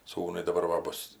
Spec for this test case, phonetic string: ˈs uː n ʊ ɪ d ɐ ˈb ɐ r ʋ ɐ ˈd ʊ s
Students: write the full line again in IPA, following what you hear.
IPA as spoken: ˈs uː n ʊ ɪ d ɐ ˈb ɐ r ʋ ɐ ˈb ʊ s